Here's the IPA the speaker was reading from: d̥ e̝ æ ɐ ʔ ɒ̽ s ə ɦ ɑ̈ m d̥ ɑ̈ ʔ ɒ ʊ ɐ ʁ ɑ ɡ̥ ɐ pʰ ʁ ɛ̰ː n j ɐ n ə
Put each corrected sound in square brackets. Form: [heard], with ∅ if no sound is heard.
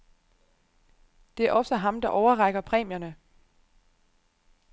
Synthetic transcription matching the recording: d̥ e̝ æ ɐ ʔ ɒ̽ s ə ɦ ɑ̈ m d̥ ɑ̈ ʔ ɒ ʊ ɐ ʁ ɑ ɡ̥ ɐ pʰ ʁ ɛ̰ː [m] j ɐ n ə